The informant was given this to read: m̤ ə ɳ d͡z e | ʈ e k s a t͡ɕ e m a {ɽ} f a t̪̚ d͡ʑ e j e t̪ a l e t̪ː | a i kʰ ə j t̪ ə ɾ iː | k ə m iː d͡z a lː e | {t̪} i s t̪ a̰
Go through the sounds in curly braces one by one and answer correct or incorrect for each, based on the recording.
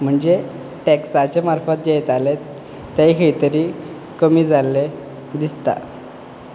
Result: incorrect: ɾ, incorrect: d̪

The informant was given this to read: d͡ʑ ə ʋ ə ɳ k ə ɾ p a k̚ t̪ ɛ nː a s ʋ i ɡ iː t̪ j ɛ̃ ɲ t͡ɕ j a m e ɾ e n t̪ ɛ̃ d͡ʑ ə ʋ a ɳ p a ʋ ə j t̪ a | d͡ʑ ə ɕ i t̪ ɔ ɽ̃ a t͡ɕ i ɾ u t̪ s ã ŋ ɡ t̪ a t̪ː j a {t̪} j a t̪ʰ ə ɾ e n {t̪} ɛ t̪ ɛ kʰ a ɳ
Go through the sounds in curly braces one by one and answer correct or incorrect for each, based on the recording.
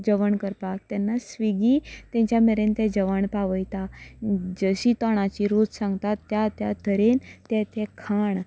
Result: correct, correct

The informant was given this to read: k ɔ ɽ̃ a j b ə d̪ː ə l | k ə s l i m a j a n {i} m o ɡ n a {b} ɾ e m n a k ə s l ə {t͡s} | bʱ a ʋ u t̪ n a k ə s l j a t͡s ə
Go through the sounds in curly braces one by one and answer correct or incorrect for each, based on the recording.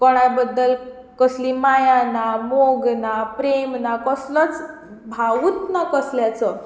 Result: incorrect: a, incorrect: p, correct

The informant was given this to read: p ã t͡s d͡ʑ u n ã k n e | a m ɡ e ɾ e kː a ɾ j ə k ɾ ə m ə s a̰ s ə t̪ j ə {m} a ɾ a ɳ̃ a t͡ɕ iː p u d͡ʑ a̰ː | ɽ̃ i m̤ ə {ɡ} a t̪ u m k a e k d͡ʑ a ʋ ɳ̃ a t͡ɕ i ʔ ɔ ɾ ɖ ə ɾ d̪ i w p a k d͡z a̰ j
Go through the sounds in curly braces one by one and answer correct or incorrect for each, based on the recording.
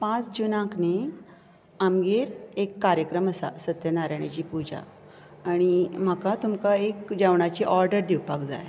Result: incorrect: n, incorrect: k

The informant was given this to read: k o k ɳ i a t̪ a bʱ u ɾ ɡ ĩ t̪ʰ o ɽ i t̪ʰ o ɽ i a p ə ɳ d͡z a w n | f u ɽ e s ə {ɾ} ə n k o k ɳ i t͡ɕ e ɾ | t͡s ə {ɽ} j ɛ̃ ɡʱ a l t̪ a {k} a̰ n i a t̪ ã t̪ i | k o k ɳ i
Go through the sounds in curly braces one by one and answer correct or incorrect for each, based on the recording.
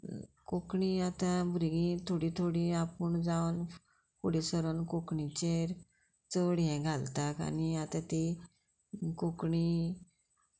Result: correct, correct, correct

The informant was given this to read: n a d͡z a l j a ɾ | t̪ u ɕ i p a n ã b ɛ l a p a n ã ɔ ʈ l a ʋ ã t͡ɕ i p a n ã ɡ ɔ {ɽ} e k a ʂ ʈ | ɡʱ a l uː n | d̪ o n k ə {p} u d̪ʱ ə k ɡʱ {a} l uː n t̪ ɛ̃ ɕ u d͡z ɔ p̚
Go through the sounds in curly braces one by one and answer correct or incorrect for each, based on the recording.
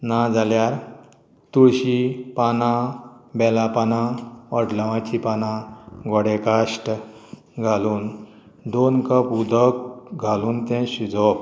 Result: correct, correct, correct

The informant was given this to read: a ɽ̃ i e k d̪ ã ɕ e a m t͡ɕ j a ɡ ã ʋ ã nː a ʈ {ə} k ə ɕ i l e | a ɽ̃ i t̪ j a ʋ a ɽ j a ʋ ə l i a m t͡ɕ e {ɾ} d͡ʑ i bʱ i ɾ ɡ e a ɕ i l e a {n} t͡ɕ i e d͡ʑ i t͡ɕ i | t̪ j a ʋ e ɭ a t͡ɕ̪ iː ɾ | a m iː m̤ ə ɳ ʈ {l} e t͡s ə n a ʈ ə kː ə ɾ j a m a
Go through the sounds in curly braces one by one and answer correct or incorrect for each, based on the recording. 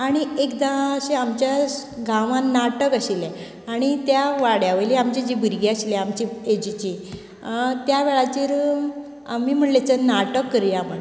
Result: correct, incorrect: none, incorrect: m, correct

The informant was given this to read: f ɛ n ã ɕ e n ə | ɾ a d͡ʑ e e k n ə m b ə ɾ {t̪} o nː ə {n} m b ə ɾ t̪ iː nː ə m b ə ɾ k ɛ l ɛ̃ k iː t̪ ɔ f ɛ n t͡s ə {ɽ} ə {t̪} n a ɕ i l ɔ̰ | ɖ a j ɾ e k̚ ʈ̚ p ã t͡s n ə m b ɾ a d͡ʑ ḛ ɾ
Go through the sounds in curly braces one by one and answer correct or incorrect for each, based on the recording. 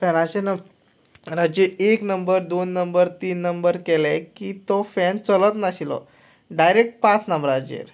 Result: incorrect: d̪, incorrect: none, incorrect: l, correct

